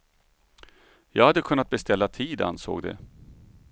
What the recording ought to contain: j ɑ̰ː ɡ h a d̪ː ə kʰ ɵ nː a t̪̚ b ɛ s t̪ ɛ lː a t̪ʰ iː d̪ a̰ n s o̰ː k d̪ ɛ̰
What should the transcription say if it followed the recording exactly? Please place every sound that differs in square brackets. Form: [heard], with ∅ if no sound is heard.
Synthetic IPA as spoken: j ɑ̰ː ɡ h a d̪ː ə kʰ ɵ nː a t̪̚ b ɛ s t̪ ɛ lː a t̪ʰ iː d̪ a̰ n s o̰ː [ɡ] d̪ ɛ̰